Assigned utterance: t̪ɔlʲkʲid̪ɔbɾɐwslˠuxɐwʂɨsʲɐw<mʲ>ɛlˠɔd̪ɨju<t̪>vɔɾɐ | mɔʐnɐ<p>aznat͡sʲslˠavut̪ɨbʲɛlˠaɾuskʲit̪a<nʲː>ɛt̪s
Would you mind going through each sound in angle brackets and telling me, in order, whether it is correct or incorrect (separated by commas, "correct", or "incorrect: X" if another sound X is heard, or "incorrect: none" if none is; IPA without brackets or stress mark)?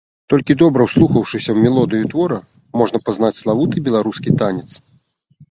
correct, correct, correct, incorrect: nʲ